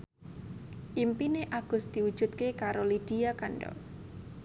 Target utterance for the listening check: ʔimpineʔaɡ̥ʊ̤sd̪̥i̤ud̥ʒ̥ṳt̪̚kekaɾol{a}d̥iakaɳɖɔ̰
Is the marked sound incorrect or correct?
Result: incorrect